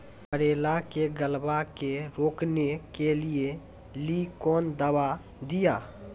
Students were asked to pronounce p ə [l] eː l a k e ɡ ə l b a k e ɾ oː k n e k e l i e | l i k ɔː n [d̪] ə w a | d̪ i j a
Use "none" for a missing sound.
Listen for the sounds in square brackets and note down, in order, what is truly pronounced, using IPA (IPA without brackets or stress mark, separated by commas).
ɾ, d̪